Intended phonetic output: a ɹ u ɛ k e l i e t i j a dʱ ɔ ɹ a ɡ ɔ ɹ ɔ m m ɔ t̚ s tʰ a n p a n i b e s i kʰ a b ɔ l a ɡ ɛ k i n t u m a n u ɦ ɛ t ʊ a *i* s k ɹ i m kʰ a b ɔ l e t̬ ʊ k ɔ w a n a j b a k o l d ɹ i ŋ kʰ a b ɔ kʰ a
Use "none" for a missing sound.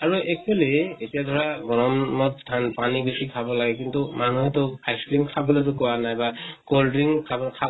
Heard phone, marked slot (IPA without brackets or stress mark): j